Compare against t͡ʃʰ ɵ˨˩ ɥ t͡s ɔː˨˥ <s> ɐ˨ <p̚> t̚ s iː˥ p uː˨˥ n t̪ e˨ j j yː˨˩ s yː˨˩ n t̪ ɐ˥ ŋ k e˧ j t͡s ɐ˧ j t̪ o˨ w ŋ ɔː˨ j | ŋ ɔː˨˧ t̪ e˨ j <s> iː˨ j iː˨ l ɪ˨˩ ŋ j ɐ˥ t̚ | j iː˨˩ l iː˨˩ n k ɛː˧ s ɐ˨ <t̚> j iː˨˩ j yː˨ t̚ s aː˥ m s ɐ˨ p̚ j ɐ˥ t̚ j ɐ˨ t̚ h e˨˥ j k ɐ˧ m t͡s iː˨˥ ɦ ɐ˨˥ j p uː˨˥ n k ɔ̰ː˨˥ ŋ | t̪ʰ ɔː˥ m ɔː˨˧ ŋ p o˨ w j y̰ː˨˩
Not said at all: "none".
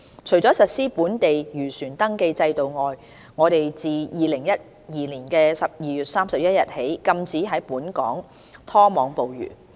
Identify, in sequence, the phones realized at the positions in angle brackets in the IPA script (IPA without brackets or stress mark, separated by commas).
s, none, t͡s, p̚